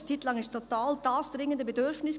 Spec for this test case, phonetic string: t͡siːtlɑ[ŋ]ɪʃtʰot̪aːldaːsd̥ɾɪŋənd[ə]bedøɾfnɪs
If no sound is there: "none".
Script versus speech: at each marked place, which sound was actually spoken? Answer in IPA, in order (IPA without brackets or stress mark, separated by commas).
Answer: ŋ, ə